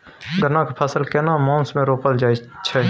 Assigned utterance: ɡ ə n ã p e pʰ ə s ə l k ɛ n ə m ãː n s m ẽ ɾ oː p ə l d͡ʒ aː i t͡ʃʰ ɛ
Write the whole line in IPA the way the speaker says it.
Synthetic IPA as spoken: ɡ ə n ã k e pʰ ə s ə l k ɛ n a m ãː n s m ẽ ɾ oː p ə l d͡ʒ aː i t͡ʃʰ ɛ